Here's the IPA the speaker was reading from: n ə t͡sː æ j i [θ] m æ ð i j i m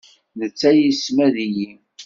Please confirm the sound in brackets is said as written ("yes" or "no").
no